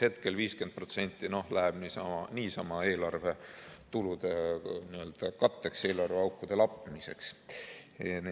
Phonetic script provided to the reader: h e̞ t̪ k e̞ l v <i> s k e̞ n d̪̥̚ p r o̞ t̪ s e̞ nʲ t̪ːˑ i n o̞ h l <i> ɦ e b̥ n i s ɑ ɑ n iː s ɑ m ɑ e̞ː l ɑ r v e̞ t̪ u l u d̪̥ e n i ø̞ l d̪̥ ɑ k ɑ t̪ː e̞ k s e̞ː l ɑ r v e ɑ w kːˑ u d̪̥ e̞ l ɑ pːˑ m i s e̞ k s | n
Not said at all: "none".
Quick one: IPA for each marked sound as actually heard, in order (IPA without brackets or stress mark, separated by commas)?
iː, æ